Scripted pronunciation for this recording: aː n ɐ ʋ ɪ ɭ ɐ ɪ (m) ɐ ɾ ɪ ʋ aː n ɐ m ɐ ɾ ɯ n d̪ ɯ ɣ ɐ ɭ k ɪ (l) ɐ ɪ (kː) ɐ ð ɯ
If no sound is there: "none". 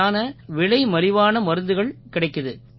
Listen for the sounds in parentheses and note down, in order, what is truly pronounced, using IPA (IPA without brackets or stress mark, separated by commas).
m, ɽ, kː